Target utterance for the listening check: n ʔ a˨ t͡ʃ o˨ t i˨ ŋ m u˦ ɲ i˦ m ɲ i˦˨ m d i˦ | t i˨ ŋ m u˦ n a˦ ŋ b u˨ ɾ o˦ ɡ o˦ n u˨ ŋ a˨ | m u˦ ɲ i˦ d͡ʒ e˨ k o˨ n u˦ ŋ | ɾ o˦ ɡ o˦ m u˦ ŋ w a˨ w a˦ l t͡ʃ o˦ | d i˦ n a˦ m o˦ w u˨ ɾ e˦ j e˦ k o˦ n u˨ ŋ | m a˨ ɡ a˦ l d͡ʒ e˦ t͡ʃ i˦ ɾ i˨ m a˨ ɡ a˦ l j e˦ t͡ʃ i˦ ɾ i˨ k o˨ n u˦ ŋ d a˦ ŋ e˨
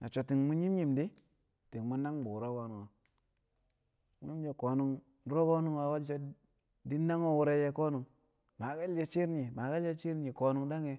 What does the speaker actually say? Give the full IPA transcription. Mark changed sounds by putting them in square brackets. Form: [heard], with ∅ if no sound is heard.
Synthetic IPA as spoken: n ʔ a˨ t͡ʃ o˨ t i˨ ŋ m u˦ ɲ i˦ m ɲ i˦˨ m d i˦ | t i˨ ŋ m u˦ n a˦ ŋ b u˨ ɾ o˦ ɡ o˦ n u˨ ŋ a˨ | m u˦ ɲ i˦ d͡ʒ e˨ k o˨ n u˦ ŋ | ɾ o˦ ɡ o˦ [n] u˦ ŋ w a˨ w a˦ l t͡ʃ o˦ | d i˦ n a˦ [ŋ] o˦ w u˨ ɾ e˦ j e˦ k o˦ n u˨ ŋ | m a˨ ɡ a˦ l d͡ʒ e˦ t͡ʃ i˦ ɾ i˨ m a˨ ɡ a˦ l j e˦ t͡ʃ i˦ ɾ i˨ k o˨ n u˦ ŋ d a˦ ŋ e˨